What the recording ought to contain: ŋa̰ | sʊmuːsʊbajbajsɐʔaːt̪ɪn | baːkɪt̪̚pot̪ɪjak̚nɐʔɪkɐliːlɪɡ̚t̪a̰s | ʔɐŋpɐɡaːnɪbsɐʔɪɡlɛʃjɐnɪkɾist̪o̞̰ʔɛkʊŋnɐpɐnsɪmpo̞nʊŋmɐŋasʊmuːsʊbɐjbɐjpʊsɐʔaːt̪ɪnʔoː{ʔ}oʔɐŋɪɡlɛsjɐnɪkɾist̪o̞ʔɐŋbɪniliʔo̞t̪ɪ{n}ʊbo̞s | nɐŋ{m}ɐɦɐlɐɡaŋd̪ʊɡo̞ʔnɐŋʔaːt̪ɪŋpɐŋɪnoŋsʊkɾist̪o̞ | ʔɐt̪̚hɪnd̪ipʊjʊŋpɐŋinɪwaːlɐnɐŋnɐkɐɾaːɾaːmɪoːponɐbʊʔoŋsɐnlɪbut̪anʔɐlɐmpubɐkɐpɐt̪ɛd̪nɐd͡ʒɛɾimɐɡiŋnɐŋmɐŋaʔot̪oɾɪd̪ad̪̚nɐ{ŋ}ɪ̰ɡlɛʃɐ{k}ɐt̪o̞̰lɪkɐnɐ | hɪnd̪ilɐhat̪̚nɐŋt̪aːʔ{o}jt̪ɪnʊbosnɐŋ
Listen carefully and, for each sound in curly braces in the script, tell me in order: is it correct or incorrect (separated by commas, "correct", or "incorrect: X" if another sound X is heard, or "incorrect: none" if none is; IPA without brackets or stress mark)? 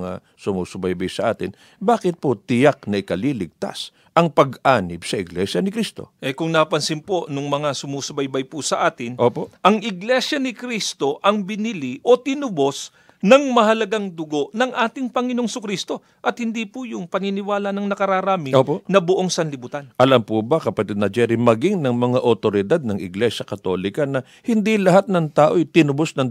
incorrect: p, correct, correct, correct, correct, correct